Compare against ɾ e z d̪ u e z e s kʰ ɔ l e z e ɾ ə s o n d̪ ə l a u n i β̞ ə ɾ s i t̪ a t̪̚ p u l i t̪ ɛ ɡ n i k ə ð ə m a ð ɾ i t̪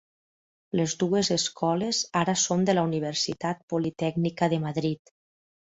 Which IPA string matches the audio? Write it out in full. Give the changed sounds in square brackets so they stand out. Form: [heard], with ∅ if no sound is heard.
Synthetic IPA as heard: [l] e z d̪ u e z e s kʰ ɔ l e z [a] ɾ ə s o n d̪ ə l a u n i β̞ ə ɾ s i t̪ a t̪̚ p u l i t̪ ɛ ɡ n i k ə ð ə m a ð ɾ i t̪